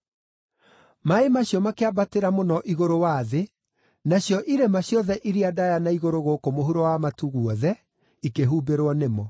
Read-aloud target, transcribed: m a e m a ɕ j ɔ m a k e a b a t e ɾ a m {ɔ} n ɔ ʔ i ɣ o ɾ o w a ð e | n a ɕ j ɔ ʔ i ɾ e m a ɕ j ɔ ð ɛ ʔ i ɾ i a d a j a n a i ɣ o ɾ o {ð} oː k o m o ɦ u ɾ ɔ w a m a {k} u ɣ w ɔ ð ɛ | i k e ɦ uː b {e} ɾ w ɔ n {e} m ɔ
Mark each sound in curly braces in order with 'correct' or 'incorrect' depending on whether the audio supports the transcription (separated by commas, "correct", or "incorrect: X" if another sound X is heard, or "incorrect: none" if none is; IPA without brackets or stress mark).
incorrect: o, incorrect: ɣ, incorrect: t, correct, correct